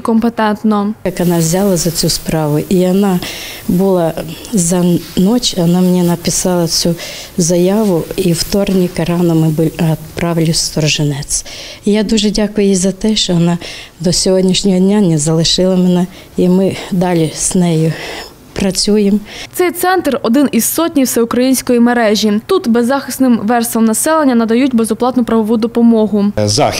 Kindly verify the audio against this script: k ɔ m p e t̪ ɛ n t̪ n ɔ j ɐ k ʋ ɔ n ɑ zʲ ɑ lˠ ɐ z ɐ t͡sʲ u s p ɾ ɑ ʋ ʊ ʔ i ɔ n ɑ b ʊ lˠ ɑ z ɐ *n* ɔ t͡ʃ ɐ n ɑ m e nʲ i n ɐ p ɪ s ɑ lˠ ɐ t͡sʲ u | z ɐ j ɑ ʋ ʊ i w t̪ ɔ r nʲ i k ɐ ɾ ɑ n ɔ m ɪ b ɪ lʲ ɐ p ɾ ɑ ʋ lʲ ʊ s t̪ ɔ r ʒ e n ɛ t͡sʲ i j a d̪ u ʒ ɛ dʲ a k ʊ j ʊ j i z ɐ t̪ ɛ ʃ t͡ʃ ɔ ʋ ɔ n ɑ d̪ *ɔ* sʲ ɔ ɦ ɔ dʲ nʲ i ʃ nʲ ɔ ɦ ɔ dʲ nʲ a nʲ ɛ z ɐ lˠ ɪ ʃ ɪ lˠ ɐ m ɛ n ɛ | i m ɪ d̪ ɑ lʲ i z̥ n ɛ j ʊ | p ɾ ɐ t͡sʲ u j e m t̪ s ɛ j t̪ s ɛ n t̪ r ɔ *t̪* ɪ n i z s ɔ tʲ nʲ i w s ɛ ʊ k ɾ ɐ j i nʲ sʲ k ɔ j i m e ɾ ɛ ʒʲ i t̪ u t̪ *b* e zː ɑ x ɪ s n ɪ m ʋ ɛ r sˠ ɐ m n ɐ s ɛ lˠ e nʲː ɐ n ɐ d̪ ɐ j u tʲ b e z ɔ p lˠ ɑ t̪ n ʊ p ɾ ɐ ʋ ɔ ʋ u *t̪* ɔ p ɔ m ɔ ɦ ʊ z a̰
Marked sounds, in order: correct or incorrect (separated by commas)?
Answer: correct, correct, incorrect, correct, incorrect